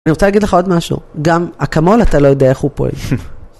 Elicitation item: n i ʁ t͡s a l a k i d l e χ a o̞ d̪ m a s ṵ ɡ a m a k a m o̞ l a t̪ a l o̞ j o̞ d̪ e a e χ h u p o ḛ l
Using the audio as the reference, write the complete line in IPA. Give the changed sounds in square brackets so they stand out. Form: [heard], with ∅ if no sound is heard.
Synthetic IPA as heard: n i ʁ t͡s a l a [ɡ] i d l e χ a o̞ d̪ m a [ʃ] ṵ ɡ a m a k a m o̞ l a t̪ a l o̞ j o̞ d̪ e a e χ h u p o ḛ l